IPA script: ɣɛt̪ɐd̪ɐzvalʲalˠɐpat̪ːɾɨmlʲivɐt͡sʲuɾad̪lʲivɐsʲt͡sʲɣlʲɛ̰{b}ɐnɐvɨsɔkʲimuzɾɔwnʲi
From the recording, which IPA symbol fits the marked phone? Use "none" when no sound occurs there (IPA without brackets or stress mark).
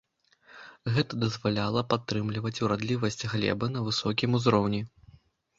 b